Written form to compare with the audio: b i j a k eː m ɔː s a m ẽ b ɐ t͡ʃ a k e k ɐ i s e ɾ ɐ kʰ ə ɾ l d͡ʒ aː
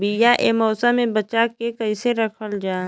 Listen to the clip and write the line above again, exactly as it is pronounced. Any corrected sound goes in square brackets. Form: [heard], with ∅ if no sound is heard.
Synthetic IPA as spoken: b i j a [ʔ] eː m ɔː s a m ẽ b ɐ t͡ʃ a k e k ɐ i s e ɾ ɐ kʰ ə [∅] l d͡ʒ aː

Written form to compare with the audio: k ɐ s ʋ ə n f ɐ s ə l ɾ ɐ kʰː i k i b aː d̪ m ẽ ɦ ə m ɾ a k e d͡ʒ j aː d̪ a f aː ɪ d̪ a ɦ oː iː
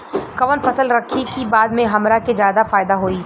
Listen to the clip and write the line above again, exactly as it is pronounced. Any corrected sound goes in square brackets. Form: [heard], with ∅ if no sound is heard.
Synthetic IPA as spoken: k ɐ [∅] ʋ ə n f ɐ s ə l ɾ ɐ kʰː i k i b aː d̪ m ẽ ɦ [ɐ] m ɾ a k e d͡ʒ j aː d̪ a f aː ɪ d̪ a ɦ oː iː

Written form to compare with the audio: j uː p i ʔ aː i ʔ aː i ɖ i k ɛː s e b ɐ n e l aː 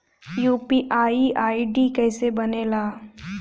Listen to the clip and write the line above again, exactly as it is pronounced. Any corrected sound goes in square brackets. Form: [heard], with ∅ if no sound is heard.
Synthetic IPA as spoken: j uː p i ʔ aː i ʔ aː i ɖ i k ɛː s e b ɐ n e l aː

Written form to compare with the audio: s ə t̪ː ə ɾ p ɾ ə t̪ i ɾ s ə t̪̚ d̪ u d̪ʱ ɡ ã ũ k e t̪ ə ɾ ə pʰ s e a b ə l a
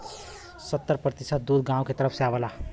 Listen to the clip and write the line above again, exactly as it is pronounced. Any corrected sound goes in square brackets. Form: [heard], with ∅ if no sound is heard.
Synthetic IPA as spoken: s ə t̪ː ə ɾ p ɾ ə t̪ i [∅] s ə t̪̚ d̪ u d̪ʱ ɡ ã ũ k e t̪ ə ɾ ə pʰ s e a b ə l a

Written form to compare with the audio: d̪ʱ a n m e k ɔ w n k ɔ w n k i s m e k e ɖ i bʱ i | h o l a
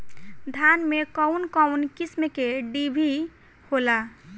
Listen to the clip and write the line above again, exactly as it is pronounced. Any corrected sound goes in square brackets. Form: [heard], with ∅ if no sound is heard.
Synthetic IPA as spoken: d̪ʱ a n m e k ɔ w n k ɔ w n k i s m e k e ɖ i bʱ i | h o l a

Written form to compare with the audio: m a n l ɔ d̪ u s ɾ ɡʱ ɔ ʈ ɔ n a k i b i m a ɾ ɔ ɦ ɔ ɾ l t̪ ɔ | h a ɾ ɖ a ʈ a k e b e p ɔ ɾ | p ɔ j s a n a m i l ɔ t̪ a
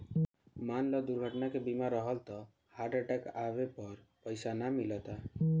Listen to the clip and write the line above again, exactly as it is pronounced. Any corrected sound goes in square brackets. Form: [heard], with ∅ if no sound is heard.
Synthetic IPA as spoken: m a n l ɔ d̪ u [∅] ɾ ɡʱ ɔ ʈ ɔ n a k [e] b i m a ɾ ɔ ɦ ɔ [∅] l t̪ ɔ | h a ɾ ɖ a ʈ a k [a] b e p ɔ ɾ | p ɔ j s a n a m i l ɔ t̪ a

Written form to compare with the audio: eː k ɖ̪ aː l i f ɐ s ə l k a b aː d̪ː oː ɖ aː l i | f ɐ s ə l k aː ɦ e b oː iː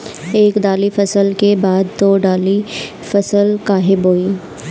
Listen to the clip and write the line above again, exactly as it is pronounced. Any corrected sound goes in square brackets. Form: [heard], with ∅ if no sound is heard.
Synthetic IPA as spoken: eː k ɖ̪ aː l i f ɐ s ə l k [e] b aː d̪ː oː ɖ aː l i | f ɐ s ə l k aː ɦ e b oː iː

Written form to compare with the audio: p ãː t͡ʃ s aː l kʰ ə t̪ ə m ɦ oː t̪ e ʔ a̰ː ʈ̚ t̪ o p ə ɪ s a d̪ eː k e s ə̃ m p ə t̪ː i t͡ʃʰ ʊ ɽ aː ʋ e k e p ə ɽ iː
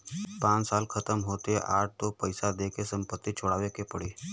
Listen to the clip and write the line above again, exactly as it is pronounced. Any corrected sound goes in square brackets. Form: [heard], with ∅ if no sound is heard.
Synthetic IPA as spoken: p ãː t͡ʃ s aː l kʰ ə t̪ ə m ɦ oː t̪ e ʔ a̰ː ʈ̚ t̪ o p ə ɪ s a d̪ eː k e s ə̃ m p ə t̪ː i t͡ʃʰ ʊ ɽ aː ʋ e k e p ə ɽ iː

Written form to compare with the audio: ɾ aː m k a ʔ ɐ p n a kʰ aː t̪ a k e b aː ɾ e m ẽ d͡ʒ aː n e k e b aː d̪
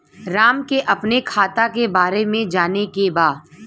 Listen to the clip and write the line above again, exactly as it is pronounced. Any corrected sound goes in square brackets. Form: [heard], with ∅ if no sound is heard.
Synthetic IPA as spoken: ɾ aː m k [e] ʔ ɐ p n [e] kʰ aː t̪ a k e b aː ɾ e m ẽ d͡ʒ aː n e k e b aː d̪

